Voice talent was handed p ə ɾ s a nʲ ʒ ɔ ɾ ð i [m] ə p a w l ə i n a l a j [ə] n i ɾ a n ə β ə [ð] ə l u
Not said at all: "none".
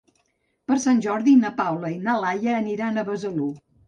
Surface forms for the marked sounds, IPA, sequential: n, əː, z

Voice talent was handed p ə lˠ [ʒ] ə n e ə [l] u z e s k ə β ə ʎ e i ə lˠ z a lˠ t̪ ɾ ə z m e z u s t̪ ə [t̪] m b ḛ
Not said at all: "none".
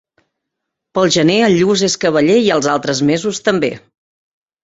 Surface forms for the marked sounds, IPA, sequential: ʒ, ʎ, none

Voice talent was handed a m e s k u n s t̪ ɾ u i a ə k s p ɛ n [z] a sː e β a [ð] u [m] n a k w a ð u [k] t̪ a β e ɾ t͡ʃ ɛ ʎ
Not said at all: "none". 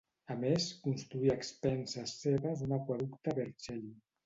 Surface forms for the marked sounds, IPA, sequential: s, z, none, k

